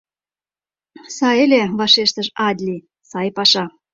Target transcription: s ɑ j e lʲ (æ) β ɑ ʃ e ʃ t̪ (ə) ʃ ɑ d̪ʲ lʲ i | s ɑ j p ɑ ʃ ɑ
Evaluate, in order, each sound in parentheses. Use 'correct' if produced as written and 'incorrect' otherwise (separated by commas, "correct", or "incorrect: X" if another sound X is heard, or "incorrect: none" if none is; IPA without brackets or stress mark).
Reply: incorrect: e, correct